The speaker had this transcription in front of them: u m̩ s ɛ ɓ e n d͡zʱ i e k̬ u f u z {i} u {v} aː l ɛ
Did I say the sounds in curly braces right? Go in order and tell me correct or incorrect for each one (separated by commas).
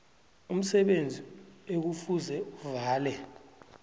incorrect, correct